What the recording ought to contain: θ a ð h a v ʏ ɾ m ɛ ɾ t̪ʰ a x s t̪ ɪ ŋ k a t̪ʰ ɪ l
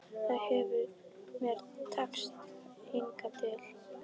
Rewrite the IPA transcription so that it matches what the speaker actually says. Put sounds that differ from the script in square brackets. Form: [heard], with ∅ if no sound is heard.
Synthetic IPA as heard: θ a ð h [ɛ] v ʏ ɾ m ɛ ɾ t̪ʰ a [k] s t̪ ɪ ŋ k a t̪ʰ ɪ l